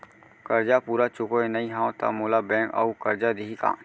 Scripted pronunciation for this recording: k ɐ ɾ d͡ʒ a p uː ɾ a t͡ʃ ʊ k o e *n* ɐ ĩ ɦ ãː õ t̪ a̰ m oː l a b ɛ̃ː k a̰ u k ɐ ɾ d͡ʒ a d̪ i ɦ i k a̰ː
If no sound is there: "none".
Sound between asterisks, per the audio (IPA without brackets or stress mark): n